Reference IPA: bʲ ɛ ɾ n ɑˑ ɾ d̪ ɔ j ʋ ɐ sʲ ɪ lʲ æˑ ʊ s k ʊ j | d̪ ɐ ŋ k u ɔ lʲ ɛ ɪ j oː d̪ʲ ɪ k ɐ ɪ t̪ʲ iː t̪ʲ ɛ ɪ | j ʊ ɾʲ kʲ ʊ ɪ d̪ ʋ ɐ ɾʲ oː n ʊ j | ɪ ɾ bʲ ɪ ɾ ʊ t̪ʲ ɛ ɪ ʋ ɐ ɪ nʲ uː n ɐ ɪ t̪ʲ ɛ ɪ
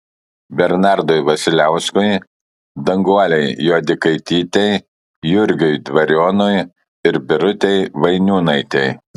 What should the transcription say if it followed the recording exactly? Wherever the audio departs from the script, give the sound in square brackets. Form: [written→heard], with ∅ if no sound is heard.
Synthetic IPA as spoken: bʲ ɛ ɾ n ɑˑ ɾ d̪ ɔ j ʋ ɐ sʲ ɪ lʲ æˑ ʊ s k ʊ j | d̪ ɐ ŋ [k→ɡ] u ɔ lʲ ɛ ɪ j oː d̪ʲ ɪ k ɐ ɪ t̪ʲ iː t̪ʲ ɛ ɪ | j ʊ ɾʲ [kʲ→ɡʲ] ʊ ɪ d̪ ʋ ɐ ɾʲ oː n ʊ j | ɪ ɾ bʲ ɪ ɾ ʊ t̪ʲ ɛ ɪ ʋ ɐ ɪ nʲ uː n ɐ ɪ t̪ʲ ɛ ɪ